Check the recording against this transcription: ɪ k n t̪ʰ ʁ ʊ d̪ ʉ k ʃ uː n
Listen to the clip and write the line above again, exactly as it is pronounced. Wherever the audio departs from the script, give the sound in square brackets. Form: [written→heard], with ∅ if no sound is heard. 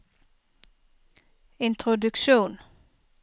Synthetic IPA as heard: ɪ [k→∅] n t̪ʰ ʁ ʊ d̪ ʉ k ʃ uː n